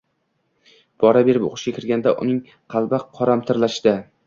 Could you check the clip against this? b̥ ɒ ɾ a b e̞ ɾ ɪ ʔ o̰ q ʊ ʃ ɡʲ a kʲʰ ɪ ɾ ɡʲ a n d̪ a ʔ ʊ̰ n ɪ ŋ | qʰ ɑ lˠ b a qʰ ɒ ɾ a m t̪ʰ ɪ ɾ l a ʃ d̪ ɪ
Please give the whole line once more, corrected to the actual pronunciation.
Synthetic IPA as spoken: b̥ ɒ ɾ a b e̞ ɾ ɪ p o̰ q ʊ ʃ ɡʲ a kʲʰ ɪ ɾ ɡʲ a n d̪ a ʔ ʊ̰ n ɪ ŋ | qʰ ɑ lˠ b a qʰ ɒ ɾ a m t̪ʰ ɪ ɾ l a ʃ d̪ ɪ